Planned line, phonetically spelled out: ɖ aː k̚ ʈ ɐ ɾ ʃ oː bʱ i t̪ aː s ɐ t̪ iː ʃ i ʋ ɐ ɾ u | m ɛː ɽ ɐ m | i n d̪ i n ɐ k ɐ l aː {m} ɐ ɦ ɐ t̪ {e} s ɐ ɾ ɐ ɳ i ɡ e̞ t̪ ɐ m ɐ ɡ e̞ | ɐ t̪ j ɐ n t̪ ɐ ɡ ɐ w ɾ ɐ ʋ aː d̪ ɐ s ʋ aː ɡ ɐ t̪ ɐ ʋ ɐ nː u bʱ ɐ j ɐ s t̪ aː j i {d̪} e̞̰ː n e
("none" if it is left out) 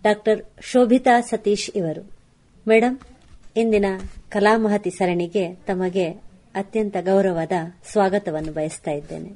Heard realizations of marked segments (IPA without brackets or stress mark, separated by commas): m, i, d̪ː